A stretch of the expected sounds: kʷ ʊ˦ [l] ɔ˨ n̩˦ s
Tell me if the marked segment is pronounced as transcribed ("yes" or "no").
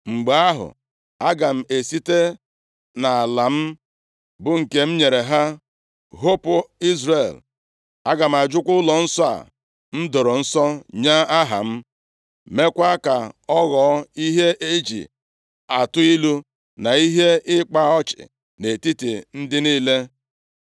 yes